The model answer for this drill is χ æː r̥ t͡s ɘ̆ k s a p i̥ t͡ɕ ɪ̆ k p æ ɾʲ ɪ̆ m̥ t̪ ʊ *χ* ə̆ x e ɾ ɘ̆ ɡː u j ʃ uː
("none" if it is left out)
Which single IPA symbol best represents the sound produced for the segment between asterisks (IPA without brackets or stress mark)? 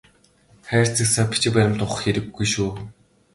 χ